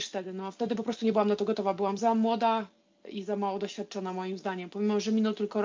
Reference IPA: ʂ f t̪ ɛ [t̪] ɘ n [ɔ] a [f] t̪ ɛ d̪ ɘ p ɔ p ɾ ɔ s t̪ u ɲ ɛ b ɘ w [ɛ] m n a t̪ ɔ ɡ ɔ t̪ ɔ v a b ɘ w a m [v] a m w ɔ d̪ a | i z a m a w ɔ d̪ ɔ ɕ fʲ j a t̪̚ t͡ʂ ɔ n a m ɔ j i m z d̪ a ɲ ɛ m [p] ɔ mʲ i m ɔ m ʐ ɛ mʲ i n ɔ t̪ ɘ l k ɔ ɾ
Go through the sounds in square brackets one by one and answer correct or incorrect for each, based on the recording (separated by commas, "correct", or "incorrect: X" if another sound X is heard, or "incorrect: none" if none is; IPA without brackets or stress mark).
incorrect: d̪, correct, correct, incorrect: a, incorrect: z, correct